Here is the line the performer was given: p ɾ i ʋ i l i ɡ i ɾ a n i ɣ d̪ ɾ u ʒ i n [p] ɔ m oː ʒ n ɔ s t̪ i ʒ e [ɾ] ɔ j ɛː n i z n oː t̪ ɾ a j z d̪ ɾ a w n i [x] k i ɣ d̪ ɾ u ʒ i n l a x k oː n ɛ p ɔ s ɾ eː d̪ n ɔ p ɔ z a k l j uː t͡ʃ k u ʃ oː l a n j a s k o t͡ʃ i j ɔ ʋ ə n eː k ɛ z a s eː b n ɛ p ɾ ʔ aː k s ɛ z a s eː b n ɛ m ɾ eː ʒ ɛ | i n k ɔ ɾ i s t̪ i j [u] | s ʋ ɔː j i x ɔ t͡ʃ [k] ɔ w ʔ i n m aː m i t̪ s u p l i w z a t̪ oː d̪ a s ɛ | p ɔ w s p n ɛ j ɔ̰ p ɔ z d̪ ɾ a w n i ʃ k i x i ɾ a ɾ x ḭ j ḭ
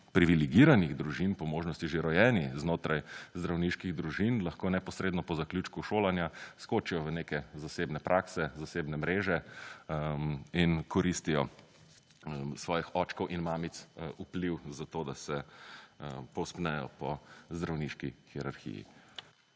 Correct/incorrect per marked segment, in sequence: correct, correct, incorrect: ʃ, incorrect: ɔ, correct

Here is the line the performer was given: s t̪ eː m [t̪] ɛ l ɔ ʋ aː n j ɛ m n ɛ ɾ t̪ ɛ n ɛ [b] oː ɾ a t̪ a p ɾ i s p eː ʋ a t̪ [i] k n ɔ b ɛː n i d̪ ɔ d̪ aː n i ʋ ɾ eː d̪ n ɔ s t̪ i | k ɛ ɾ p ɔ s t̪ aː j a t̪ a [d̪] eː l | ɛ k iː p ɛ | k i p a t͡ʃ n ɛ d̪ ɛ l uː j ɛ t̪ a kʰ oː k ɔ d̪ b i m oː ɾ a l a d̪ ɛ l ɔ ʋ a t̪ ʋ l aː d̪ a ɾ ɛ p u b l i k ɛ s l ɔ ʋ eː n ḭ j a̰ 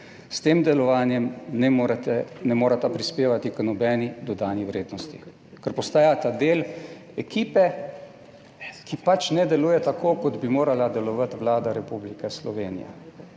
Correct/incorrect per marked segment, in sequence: incorrect: d̪, incorrect: m, correct, correct

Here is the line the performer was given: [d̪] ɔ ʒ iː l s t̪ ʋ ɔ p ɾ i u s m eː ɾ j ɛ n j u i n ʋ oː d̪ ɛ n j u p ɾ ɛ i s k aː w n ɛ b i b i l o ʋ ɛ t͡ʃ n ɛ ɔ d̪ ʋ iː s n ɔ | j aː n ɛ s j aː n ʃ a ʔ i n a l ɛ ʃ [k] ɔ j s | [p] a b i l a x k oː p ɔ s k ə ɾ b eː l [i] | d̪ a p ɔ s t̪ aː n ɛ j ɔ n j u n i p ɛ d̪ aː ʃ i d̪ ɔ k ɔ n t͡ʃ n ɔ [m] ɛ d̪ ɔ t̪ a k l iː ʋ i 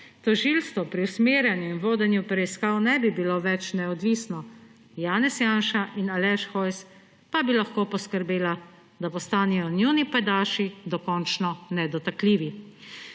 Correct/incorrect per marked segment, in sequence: incorrect: t̪, incorrect: x, correct, incorrect: a, incorrect: n

